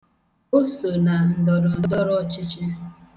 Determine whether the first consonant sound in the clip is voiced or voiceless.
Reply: voiceless